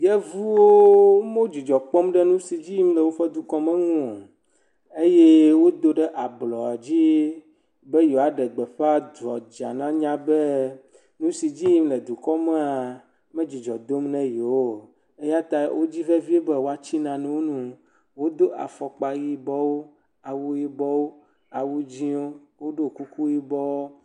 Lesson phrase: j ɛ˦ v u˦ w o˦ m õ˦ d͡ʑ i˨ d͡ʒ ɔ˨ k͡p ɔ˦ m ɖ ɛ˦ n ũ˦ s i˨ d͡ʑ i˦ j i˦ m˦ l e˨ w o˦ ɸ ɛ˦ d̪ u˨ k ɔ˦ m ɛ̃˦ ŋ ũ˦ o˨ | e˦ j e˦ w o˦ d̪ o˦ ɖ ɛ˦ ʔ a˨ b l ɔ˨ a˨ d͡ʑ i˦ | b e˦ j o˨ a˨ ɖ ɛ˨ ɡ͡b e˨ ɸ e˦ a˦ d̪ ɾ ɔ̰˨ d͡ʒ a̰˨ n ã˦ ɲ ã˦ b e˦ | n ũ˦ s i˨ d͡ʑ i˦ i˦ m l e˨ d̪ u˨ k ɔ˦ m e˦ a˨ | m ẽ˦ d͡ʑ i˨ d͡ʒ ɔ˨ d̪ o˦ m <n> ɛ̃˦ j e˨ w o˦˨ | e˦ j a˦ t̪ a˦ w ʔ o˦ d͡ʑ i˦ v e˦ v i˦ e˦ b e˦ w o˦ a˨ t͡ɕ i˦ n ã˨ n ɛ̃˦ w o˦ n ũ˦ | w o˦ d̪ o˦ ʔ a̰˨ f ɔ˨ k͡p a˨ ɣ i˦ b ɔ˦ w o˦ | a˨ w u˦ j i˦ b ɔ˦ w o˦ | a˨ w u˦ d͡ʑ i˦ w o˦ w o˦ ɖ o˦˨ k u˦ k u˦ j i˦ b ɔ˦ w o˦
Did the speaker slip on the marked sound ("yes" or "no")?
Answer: no